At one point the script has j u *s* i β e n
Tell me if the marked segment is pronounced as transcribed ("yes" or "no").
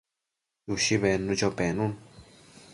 no